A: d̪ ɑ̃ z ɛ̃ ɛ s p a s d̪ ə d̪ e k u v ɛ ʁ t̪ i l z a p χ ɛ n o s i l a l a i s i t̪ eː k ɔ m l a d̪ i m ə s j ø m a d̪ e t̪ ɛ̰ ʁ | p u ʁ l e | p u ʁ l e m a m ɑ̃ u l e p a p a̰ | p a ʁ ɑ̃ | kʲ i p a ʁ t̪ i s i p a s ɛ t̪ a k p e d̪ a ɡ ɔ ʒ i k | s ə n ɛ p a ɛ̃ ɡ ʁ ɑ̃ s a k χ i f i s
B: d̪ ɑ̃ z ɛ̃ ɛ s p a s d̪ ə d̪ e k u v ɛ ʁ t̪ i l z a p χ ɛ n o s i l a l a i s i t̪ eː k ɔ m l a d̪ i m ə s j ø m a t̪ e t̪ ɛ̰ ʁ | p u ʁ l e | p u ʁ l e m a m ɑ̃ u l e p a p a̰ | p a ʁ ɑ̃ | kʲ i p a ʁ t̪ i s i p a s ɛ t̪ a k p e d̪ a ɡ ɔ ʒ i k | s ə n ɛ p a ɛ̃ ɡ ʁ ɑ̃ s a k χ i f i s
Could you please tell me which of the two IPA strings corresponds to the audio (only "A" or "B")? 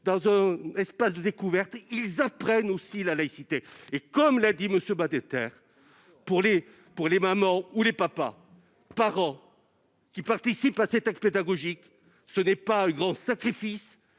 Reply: A